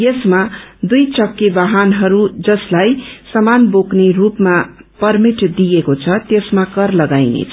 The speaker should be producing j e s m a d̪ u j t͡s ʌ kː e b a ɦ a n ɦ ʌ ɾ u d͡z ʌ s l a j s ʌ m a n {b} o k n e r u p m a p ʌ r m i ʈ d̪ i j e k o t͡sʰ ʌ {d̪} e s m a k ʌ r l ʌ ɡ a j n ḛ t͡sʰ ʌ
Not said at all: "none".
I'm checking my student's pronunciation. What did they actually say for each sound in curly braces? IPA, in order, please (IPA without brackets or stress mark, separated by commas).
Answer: b, t̪